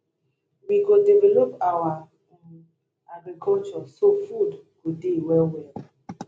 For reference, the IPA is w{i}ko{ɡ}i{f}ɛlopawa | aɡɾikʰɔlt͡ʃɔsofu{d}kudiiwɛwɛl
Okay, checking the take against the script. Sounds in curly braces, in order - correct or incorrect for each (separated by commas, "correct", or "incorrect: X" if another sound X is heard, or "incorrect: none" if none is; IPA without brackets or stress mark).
correct, incorrect: d, incorrect: v, correct